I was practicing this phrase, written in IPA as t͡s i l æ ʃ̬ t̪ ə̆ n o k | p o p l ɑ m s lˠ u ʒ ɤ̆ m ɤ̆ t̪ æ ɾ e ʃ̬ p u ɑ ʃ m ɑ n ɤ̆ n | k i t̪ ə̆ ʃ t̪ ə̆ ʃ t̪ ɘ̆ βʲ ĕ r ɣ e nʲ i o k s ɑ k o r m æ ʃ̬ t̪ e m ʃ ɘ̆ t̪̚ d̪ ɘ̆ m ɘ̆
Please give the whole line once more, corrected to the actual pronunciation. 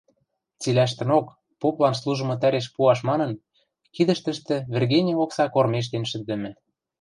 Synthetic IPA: t͡s i l æ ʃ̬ t̪ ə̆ n o k | p o p l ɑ n s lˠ u ʒ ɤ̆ m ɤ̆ t̪ æ ɾ e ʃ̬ p u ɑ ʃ m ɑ n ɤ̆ n | k i d̪ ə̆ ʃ t̪ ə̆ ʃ t̪ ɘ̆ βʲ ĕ r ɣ e nʲ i o k s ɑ k o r m e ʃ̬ t̪ e n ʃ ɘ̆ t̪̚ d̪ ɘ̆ m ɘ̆